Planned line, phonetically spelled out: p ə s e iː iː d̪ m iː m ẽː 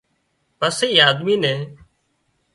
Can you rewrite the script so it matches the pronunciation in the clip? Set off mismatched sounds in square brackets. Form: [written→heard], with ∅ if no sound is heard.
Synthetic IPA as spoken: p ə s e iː [iː→aː] d̪ m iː [m→n] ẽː